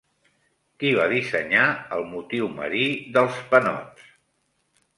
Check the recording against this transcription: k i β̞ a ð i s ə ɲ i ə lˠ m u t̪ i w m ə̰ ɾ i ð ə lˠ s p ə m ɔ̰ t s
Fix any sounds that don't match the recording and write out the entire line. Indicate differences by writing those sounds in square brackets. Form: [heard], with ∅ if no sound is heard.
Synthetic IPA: k i β̞ a ð i s ə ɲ [a] ə lˠ m u t̪ i w m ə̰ ɾ i ð ə lˠ s p ə [n] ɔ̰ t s